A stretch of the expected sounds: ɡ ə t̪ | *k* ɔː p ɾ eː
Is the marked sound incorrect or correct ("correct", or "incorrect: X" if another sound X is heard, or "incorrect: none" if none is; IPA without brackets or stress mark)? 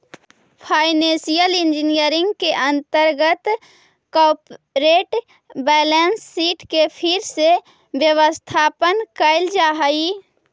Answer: correct